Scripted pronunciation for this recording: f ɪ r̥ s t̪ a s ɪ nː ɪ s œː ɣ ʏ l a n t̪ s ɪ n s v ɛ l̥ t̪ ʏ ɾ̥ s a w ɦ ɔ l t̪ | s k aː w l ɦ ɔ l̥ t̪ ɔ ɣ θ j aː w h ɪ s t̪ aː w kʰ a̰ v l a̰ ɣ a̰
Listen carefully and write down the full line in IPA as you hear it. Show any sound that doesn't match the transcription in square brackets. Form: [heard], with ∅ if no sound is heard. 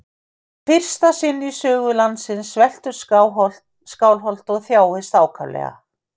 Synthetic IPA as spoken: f ɪ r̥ s t̪ a s ɪ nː [i] s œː ɣ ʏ l a n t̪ s ɪ n s v ɛ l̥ t̪ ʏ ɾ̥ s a w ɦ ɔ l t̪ | s k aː w l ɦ ɔ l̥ t̪ ɔ ɣ θ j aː w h ɪ s t̪ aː w kʰ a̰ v l [ɛ̰] ɣ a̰